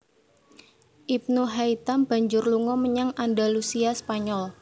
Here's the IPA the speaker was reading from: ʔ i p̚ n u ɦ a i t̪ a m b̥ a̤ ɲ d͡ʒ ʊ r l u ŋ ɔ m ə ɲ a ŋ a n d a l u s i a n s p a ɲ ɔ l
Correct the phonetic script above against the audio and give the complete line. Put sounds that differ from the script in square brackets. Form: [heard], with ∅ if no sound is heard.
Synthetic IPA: ʔ i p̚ n u ɦ a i t̪ a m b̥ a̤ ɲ d͡ʒ ʊ r l u ŋ ɔ m ə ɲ a ŋ a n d a l u s i a [∅] s p a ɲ ɔ l